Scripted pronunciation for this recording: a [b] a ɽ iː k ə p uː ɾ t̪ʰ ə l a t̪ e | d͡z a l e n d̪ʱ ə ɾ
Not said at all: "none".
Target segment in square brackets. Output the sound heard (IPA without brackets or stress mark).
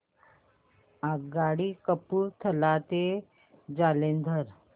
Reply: ɡ